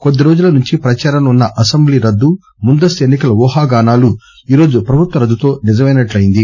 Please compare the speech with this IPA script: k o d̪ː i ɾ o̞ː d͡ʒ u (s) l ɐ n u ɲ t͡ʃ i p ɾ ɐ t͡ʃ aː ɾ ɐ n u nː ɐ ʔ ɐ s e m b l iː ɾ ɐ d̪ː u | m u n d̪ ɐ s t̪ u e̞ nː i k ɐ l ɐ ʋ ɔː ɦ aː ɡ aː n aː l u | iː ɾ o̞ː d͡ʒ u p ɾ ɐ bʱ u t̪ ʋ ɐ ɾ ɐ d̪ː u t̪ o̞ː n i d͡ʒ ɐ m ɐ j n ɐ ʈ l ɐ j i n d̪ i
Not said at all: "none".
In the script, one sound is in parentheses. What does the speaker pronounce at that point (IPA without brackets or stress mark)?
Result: none